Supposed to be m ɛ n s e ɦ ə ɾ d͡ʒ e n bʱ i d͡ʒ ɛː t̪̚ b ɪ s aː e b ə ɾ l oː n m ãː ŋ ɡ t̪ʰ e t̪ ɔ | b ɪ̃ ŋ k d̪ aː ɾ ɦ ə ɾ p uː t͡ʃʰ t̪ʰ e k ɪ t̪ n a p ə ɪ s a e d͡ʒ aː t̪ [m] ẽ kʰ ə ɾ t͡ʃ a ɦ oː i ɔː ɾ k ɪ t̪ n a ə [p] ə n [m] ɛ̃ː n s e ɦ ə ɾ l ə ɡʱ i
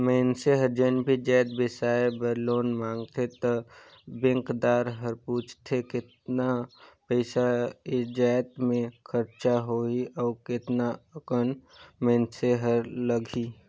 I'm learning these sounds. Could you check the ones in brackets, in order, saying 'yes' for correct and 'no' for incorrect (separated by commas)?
yes, no, yes